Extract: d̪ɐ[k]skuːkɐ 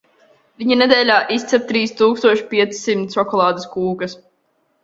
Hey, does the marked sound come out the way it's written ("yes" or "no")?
no